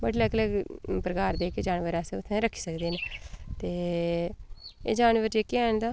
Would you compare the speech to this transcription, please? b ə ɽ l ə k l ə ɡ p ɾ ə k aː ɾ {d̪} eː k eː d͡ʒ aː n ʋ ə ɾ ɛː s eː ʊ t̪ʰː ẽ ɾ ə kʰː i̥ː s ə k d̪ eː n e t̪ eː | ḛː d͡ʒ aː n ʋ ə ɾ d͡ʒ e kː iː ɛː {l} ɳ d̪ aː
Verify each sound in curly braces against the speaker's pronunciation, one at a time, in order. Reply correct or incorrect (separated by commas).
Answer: correct, incorrect